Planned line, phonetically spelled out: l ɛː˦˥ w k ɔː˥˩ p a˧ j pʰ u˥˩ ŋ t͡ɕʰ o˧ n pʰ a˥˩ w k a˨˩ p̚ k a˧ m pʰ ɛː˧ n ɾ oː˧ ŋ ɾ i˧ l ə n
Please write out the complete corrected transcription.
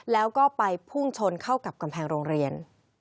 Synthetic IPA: l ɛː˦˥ w k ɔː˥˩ p a˧ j pʰ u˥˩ ŋ t͡ɕʰ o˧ n kʰ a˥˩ w k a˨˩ p̚ k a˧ m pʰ ɛː˧ ŋ ɾ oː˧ ŋ ɾ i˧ ə n